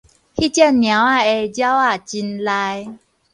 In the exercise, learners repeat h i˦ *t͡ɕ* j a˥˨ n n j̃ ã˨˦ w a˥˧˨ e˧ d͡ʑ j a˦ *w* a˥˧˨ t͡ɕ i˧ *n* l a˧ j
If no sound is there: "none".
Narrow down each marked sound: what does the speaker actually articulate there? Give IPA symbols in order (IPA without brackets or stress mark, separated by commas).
t͡ɕ, w, n